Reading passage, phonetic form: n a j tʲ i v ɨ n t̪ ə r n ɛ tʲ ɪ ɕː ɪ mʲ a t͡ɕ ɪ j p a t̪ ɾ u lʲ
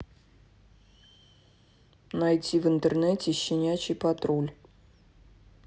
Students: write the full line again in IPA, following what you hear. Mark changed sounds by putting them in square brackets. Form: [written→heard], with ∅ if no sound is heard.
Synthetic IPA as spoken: n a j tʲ i v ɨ n t̪ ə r n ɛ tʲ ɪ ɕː ɪ [mʲ→nʲ] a t͡ɕ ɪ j p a t̪ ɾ [u→o] lʲ